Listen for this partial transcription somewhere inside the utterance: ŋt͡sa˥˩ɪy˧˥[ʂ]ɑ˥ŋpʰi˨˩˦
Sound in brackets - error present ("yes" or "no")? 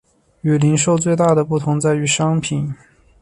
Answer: no